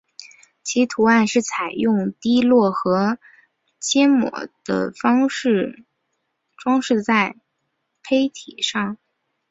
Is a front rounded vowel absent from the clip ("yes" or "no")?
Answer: yes